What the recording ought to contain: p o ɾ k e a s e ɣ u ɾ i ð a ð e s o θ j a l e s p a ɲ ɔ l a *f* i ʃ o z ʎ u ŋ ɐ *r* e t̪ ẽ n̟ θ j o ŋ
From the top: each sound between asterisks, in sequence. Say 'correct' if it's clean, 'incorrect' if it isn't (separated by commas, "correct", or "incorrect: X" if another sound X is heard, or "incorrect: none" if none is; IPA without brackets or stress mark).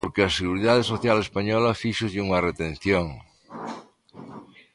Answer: correct, correct